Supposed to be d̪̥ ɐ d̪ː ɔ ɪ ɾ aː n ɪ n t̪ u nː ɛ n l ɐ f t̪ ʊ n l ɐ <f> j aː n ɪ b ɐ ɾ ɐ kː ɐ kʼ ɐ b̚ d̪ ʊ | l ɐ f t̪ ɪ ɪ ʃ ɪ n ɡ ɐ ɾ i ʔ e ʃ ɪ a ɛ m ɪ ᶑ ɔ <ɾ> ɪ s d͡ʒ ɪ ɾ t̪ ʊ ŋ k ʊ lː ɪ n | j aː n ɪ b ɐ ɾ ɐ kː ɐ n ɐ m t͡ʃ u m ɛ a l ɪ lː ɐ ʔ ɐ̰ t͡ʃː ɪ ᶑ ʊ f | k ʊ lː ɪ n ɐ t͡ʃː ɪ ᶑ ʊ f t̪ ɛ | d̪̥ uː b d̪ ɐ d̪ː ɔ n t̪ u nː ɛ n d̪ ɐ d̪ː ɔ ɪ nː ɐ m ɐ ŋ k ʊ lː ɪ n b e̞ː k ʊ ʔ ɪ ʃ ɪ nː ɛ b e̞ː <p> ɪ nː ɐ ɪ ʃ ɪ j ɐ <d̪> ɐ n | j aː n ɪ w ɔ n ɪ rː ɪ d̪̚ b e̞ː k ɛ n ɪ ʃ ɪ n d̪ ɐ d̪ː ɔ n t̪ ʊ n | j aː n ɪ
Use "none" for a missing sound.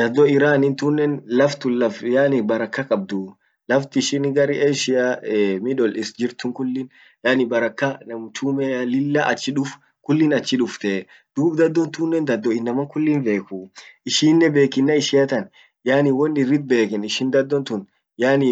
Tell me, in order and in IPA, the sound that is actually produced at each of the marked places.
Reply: f, l, k, t̪

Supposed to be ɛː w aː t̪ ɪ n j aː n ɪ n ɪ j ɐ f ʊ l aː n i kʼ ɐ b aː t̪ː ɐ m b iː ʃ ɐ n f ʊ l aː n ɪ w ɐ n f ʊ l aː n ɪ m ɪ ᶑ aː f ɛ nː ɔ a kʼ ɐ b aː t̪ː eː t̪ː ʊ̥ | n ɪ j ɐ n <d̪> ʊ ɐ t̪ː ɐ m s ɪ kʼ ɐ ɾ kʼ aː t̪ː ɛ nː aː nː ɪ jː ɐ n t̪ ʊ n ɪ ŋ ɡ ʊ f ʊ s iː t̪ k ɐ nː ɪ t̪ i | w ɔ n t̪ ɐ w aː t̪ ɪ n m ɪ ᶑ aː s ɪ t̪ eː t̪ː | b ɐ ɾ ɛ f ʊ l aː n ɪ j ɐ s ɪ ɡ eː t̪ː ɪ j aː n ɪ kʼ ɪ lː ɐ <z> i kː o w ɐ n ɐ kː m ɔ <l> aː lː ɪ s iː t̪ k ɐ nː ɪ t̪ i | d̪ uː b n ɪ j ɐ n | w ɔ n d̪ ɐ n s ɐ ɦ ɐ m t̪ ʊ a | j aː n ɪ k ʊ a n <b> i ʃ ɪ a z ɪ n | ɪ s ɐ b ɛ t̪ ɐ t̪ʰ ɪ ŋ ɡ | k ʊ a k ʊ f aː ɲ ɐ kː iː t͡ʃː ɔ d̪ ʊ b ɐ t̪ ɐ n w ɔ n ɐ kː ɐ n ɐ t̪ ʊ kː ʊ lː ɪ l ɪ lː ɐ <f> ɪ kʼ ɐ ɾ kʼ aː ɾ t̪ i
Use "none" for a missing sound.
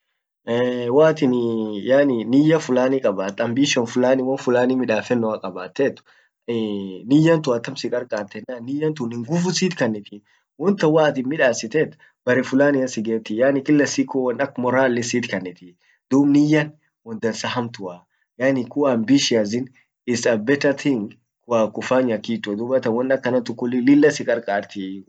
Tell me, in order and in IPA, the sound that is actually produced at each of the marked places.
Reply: t̪, s, ɾ, b, s

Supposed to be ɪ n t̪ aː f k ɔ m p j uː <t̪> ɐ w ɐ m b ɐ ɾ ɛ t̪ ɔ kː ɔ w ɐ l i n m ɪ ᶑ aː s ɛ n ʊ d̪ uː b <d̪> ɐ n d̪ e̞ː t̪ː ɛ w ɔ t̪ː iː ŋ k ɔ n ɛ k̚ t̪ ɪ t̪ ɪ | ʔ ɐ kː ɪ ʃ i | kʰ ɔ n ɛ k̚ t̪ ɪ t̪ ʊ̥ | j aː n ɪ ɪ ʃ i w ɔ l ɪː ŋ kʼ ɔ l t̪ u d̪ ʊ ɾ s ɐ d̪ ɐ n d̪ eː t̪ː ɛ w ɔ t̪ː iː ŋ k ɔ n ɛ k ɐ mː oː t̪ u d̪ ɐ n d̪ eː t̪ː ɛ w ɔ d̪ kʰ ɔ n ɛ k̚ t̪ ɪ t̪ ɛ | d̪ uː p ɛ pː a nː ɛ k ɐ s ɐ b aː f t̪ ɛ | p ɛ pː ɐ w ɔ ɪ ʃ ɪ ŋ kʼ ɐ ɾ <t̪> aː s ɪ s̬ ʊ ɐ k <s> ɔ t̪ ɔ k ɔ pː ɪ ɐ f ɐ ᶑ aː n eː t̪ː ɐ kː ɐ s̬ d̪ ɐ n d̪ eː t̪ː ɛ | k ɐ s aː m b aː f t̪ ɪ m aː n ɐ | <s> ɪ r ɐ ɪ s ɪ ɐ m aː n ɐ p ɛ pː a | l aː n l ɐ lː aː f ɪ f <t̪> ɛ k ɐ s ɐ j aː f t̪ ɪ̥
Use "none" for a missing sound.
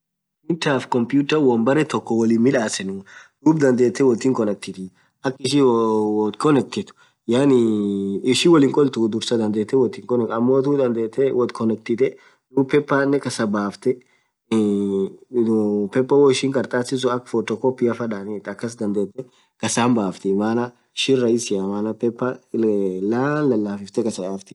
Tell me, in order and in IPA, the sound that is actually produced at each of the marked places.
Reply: t̪, d̪, t̪ʼ, f, ʃ, t̪

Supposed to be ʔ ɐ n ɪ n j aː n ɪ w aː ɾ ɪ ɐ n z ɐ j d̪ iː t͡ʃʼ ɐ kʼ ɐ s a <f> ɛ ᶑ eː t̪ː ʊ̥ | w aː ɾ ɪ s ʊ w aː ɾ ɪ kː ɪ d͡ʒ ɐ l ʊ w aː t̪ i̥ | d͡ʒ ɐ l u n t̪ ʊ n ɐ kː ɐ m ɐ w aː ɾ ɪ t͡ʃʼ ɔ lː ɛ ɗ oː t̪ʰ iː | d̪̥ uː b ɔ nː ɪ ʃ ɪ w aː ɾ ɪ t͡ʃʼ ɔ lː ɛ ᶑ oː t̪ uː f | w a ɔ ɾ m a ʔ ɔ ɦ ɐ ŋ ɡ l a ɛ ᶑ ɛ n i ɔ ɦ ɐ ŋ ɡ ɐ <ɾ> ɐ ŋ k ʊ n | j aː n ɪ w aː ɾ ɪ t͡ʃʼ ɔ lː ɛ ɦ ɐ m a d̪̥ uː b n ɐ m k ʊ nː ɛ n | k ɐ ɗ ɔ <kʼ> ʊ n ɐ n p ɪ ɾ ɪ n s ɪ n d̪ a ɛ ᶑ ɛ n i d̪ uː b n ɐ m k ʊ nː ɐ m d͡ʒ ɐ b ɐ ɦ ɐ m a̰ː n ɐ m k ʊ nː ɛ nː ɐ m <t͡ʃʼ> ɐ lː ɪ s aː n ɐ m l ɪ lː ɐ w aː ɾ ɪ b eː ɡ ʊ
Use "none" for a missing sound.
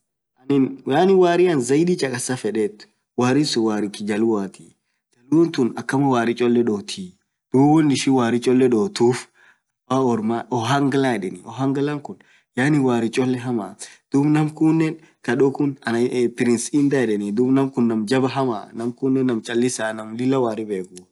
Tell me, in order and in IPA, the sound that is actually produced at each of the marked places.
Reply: f, l, k, t͡ʃʼ

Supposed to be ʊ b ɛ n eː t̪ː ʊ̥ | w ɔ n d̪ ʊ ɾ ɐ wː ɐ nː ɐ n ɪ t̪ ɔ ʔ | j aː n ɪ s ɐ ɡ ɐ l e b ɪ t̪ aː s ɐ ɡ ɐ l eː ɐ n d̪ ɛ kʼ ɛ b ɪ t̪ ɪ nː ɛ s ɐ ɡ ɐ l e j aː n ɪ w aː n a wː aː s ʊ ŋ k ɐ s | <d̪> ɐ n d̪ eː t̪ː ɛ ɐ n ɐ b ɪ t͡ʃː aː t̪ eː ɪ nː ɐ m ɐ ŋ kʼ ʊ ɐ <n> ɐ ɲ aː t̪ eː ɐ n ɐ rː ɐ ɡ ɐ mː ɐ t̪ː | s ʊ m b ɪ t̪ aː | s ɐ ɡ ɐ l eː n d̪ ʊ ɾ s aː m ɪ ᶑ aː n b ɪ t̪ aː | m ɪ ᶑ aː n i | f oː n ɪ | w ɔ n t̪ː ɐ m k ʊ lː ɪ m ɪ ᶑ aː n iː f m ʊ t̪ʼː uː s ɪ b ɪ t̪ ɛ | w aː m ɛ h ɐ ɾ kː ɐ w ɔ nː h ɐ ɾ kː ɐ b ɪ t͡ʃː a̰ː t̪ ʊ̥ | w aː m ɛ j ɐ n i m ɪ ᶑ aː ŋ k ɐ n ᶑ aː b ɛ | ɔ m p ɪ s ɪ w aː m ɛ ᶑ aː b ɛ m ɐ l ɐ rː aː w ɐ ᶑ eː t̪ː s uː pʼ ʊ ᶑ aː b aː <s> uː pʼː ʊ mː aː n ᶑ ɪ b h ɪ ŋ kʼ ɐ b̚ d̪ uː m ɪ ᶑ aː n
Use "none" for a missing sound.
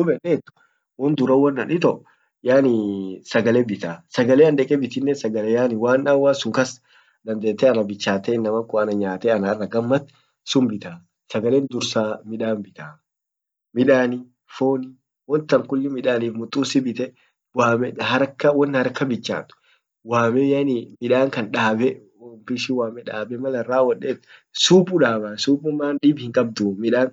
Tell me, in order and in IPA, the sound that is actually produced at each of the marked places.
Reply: d̪, n, s

